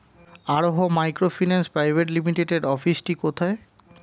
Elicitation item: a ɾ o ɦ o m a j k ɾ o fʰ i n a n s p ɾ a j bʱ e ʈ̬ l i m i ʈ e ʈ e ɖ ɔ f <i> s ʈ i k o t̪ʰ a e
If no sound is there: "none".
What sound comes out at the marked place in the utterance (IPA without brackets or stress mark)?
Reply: i